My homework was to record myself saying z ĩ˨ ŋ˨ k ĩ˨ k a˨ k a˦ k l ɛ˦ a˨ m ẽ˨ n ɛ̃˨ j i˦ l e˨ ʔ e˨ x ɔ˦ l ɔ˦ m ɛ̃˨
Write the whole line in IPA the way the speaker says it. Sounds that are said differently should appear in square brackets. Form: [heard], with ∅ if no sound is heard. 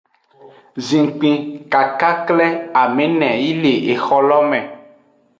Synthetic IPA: z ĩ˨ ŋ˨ [k͡p] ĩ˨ k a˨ k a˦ k l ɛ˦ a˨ m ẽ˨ n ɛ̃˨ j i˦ l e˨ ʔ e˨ x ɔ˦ l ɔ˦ m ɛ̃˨